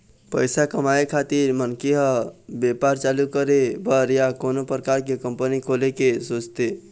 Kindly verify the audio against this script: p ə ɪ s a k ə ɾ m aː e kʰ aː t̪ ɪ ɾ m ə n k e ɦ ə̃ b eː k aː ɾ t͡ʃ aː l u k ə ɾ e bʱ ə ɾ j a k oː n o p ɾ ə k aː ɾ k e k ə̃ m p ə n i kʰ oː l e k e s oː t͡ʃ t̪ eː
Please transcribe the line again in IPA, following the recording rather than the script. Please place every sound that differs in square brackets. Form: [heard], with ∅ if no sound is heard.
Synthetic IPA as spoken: p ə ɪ s a k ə [∅] m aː e kʰ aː t̪ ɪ ɾ m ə n k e ɦ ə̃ b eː [p] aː ɾ t͡ʃ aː l u k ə ɾ e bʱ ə ɾ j a k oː n o p ɾ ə k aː ɾ k e k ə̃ m p ə n i kʰ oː l e k e s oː t͡ʃ t̪ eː